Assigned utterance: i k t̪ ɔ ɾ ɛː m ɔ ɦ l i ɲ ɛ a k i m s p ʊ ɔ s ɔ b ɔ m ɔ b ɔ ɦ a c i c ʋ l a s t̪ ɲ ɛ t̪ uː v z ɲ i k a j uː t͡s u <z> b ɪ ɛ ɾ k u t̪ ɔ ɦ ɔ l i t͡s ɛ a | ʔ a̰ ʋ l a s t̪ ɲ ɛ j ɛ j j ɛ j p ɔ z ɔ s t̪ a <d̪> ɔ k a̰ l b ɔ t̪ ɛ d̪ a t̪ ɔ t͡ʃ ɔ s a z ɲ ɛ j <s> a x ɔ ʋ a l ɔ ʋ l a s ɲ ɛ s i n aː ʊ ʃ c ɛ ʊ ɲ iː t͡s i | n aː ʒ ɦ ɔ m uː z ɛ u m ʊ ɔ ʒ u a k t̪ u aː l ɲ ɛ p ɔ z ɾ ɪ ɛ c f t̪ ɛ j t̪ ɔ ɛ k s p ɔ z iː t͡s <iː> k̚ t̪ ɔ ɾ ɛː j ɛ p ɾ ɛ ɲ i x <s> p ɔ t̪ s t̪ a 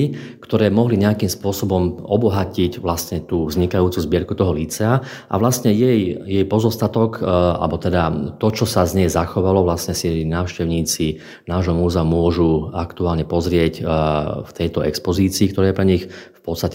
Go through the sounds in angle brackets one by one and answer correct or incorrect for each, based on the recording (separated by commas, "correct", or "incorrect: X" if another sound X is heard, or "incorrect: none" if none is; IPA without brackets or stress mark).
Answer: correct, incorrect: t̪, incorrect: z, correct, incorrect: f